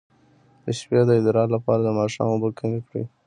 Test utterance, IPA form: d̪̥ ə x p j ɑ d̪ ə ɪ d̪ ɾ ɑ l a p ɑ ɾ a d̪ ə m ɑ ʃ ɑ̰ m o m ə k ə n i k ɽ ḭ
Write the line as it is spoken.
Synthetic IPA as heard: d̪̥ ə ʃ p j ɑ d̪ ə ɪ d̪ ɾ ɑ l a p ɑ ɾ a d̪ ə m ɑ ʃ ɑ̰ m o b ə k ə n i k ɽ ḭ